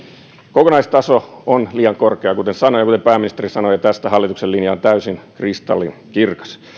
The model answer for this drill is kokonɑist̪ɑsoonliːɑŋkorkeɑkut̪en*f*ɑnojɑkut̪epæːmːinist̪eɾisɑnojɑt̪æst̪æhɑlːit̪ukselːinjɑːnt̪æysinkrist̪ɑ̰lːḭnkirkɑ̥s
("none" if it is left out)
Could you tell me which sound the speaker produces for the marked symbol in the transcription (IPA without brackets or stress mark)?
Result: s